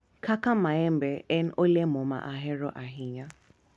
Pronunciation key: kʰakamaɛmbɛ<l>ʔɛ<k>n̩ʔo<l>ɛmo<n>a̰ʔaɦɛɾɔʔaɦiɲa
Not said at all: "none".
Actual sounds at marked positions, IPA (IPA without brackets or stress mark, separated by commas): none, none, l, m